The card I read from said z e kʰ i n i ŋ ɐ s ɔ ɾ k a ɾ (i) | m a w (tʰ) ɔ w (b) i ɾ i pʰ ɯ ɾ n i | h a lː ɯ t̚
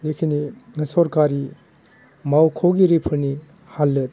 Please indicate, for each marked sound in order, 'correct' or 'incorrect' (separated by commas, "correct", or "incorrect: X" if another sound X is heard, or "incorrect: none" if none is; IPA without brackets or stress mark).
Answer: correct, incorrect: kʰ, incorrect: ɡ